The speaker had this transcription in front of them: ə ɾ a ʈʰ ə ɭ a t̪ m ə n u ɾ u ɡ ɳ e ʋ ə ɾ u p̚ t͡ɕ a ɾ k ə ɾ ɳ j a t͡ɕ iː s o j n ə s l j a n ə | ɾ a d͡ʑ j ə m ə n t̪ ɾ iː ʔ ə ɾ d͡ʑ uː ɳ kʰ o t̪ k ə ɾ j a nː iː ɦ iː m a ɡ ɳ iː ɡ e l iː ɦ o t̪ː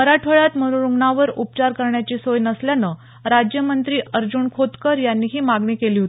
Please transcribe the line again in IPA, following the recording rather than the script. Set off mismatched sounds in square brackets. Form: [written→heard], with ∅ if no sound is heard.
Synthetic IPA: ə ɾ a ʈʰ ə ɭ a t̪ m ə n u ɾ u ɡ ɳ [e→a] ʋ ə ɾ u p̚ t͡ɕ a ɾ k ə ɾ ɳ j a t͡ɕ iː s o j n ə s l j a n ə | ɾ a d͡ʑ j ə m ə n t̪ ɾ iː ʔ ə ɾ d͡ʑ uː ɳ kʰ o t̪ k ə ɾ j a nː iː ɦ iː m a ɡ ɳ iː [ɡ→k] e l iː ɦ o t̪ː